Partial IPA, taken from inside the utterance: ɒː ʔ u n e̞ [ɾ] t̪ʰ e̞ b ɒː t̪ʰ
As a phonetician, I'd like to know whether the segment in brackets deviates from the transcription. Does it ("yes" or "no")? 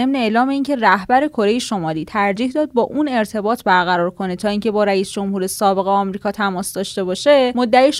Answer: no